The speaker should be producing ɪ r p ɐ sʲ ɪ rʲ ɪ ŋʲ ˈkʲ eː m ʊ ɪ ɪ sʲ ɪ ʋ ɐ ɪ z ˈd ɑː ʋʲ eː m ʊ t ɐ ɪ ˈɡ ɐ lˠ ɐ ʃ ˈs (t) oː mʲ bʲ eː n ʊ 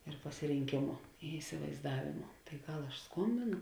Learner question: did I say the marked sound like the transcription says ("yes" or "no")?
no